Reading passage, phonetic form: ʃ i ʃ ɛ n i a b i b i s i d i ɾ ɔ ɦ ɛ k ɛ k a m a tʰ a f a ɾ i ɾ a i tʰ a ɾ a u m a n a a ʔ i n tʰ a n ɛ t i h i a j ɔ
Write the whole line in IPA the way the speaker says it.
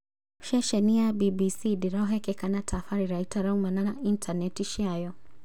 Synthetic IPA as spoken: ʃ ɛ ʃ ɛ n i a b i b i s i d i ɾ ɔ ɦ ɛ k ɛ k a n a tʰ a f a ɾ i ɾ a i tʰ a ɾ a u m a n a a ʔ i n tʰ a n ɛ t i ʃ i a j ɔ